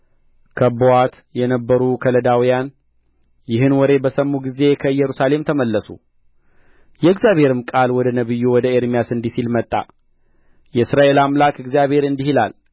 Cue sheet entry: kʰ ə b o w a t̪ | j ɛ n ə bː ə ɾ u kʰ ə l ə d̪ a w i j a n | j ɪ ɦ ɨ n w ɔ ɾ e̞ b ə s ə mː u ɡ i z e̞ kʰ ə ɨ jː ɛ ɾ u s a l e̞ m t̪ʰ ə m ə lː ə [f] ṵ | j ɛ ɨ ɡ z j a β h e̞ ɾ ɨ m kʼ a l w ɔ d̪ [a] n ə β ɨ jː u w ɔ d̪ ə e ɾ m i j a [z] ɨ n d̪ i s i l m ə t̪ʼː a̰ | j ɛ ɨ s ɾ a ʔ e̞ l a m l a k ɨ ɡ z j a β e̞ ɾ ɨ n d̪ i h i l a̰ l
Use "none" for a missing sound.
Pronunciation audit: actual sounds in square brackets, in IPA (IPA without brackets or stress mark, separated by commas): s, ə, s